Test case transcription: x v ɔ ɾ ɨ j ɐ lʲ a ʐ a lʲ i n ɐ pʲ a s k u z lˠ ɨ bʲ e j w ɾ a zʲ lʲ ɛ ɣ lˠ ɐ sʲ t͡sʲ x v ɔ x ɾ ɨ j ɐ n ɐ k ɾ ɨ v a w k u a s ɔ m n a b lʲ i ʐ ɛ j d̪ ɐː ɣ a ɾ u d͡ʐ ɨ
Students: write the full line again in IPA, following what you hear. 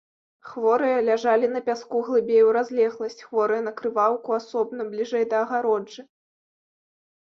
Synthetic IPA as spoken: x v ɔ ɾ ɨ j ɐ lʲ a ʐ a lʲ i n ɐ pʲ a s k u ɣ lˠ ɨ bʲ e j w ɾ a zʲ lʲ ɛ ɣ lˠ ɐ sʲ t͡sʲ x v ɔ ɾ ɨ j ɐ n ɐ k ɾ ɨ v a w k u a s ɔ b n ɐ b lʲ i ʐ ɛ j d̪ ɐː ɣ a ɾ ɔ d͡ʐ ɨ